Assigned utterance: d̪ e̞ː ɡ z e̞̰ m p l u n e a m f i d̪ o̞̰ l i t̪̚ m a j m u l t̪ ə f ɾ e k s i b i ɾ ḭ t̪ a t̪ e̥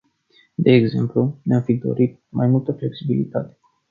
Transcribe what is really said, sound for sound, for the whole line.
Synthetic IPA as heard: d̪ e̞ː ɡ z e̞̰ m p l u n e a m f i d̪ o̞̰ ɾ i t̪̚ m a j m u l t̪ ə f l e k s i b i l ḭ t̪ a t̪ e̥